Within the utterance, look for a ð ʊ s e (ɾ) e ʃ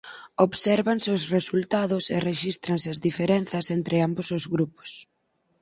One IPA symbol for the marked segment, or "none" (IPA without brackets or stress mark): r